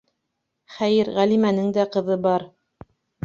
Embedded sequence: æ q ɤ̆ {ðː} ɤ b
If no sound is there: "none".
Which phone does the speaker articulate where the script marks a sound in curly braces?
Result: ð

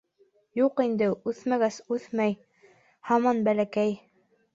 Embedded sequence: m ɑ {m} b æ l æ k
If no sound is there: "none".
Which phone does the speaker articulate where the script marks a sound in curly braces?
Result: n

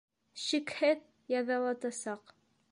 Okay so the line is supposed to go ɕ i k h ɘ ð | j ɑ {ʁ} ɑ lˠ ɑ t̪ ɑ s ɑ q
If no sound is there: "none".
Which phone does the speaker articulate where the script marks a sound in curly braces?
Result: ð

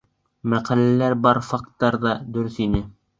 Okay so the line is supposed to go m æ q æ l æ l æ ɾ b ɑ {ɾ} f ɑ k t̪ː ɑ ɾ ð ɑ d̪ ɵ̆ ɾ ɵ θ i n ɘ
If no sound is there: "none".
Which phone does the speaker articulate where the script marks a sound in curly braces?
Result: ɾ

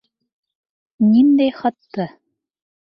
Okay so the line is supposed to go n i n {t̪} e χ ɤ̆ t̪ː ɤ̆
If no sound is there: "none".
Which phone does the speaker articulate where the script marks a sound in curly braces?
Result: d̪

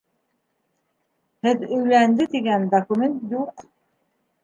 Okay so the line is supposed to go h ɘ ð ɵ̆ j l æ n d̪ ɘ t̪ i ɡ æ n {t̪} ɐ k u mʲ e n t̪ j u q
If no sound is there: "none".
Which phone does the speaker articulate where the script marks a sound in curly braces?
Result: d̪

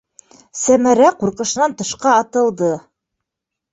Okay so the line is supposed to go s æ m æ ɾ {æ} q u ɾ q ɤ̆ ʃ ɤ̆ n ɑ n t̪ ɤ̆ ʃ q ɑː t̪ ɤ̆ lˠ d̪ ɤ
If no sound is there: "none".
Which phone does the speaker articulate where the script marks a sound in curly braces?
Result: æ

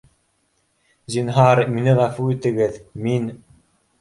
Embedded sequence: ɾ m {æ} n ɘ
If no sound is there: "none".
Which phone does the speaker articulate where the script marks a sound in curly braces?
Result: i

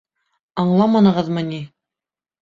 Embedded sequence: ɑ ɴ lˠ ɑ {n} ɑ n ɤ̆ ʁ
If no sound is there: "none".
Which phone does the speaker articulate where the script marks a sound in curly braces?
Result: m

